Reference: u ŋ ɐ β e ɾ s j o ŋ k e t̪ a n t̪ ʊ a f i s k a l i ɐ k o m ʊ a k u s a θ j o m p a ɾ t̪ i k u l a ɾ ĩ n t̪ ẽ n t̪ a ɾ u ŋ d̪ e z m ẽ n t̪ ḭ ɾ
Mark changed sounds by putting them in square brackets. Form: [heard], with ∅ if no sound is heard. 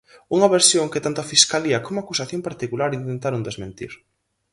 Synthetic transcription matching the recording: u ŋ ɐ β e ɾ s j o ŋ k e t̪ a n t̪ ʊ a f i s k a l i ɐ k o m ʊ a k u s a θ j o m p a ɾ t̪ i k u l a ɾ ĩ n t̪ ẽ n t̪ a ɾ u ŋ d̪ e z m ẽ n t̪ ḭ ɾ